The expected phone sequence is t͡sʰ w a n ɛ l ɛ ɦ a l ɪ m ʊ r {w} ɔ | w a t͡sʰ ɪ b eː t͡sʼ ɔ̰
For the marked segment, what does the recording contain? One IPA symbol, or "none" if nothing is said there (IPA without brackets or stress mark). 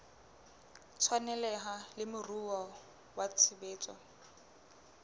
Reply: u